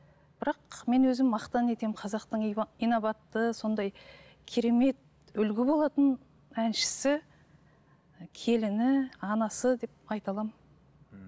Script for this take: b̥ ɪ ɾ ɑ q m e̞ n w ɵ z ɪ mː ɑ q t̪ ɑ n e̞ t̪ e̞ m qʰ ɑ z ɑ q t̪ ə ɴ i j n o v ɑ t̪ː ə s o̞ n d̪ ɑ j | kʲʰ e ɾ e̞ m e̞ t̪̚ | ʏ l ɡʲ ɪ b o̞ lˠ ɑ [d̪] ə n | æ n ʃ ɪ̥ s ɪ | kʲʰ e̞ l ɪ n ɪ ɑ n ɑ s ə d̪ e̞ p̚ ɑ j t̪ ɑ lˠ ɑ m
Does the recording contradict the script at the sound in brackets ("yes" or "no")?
yes